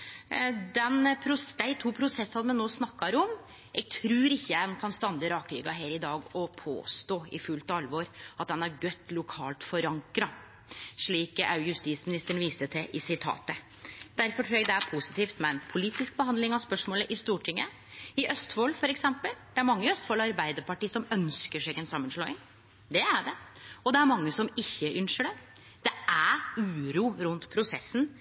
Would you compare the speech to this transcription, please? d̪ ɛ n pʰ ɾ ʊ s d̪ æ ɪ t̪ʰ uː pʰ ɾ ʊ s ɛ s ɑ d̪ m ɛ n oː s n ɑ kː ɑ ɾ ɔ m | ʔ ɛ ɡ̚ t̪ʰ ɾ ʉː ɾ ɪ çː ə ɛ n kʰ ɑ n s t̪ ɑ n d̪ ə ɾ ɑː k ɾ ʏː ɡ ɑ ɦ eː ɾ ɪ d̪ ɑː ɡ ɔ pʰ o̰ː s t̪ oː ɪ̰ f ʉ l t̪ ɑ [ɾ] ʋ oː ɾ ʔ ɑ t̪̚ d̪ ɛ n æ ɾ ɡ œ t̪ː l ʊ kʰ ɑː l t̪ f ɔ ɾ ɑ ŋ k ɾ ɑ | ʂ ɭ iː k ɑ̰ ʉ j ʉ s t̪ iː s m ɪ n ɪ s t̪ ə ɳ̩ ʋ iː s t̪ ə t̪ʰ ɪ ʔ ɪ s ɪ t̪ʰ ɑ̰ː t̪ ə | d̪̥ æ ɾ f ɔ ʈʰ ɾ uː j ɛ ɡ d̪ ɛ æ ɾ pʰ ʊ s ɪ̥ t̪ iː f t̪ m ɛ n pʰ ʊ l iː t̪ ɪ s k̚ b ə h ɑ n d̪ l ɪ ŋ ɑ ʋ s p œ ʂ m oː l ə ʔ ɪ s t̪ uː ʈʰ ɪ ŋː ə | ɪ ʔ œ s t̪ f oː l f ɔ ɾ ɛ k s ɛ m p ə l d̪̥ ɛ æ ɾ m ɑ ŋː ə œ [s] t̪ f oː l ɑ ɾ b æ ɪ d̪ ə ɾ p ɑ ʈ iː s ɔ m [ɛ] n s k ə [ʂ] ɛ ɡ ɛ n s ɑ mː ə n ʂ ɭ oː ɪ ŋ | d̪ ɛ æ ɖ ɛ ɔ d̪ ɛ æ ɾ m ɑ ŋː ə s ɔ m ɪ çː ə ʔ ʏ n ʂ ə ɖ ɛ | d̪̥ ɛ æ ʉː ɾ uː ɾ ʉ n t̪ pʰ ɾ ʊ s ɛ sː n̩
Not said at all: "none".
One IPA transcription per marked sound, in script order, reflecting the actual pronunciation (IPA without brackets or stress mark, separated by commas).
l, s, œ, ʂ